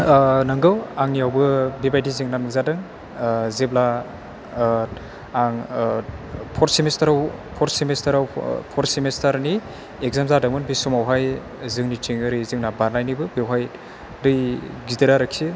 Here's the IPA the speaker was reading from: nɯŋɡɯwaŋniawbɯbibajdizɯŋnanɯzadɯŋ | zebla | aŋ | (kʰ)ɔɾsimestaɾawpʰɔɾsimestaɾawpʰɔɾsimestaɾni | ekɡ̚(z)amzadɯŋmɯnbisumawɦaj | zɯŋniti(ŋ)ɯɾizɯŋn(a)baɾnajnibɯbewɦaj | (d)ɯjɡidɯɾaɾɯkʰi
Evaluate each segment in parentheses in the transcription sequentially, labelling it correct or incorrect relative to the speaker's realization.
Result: incorrect, correct, correct, correct, correct

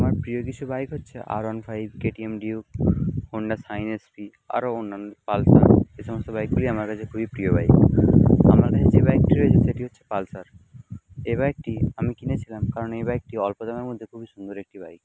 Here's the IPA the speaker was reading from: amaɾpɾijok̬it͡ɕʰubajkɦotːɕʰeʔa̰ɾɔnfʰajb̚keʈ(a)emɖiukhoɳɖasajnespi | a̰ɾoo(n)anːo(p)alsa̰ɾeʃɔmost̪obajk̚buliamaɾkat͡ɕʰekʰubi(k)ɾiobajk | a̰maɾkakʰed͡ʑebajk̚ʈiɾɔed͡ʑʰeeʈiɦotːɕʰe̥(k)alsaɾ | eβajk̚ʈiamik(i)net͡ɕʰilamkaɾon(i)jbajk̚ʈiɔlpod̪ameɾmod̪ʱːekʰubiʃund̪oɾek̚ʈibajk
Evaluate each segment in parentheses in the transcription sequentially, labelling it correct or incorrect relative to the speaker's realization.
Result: incorrect, incorrect, correct, incorrect, incorrect, correct, incorrect

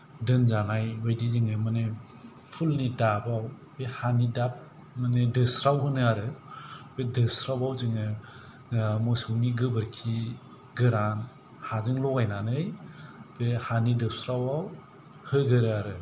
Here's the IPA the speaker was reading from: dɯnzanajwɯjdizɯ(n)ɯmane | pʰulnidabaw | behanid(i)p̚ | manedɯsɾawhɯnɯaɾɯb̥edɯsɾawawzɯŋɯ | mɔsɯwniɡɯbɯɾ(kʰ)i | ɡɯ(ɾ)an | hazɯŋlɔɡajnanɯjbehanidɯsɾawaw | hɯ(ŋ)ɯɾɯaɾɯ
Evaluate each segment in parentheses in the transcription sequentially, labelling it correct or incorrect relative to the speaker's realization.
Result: incorrect, incorrect, correct, correct, incorrect

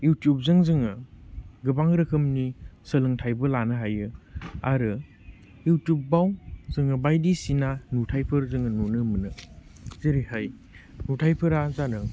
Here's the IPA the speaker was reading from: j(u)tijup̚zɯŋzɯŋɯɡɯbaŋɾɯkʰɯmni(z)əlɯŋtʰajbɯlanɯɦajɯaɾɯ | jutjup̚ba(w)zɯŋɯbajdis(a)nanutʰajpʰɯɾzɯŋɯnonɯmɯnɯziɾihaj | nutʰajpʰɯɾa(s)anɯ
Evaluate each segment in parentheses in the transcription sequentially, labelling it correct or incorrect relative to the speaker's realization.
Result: correct, incorrect, correct, incorrect, incorrect

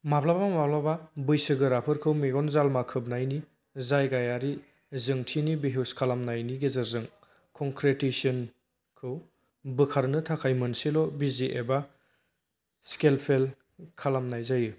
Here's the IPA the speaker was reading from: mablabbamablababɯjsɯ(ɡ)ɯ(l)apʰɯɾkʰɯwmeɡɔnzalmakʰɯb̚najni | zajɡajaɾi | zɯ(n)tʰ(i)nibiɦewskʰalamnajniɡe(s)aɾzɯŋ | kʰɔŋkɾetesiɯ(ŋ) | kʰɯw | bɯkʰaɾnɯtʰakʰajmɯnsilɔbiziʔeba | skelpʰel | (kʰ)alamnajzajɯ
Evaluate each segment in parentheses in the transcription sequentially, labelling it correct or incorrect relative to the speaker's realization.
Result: correct, incorrect, incorrect, correct, incorrect, incorrect, correct

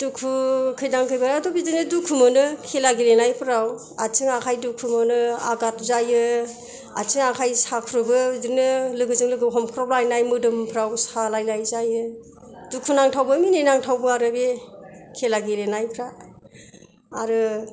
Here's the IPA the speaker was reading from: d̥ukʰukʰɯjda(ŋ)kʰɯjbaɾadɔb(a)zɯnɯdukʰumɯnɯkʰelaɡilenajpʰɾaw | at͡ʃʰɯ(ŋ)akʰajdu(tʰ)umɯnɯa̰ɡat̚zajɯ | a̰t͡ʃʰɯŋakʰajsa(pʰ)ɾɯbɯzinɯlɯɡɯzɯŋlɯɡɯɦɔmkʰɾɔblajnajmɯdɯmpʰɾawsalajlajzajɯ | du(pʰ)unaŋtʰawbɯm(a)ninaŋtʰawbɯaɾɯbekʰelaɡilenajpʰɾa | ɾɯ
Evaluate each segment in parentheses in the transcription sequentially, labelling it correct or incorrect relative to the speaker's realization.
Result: correct, incorrect, correct, incorrect, incorrect, incorrect, incorrect

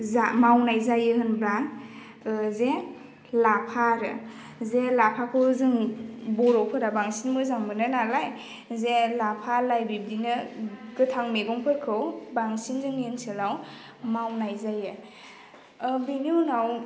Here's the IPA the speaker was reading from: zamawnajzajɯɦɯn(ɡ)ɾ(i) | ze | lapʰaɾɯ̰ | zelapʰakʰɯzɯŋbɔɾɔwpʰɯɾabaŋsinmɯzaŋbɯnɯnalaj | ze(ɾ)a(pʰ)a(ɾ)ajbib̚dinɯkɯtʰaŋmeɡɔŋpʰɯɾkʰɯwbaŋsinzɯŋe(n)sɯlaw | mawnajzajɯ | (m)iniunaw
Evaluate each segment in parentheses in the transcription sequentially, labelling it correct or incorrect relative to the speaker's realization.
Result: incorrect, incorrect, incorrect, correct, incorrect, correct, incorrect

